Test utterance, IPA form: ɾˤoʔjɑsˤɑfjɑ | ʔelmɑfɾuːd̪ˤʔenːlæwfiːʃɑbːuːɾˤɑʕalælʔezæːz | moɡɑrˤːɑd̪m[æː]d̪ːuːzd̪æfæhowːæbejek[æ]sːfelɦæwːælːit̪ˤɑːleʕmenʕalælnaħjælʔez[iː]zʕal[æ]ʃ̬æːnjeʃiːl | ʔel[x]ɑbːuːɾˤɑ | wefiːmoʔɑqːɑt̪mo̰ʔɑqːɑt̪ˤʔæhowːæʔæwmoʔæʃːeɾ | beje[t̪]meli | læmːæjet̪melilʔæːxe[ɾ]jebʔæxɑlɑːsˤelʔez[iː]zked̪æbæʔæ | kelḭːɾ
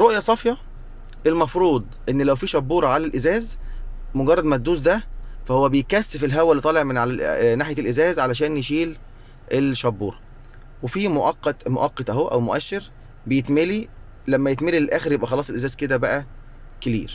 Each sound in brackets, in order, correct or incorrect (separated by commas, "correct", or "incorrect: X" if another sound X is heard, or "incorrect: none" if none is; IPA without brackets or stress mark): incorrect: æ, correct, incorrect: æː, correct, incorrect: ʃ, correct, correct, incorrect: æː